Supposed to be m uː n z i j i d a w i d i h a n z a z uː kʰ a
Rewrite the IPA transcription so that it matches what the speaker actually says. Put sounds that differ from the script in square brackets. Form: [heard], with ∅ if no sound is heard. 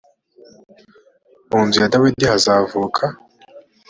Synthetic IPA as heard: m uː n z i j [a] d a w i d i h a [∅] z a [v] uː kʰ a